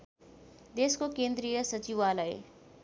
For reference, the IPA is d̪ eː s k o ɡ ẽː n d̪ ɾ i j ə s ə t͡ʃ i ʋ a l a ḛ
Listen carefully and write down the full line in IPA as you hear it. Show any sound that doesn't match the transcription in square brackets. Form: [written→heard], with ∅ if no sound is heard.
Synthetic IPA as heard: d̪ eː s k o [ɡ→k] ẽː n d̪ ɾ i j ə s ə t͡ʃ i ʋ a l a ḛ